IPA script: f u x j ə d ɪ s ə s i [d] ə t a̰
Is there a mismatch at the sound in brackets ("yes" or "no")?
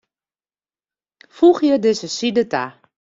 no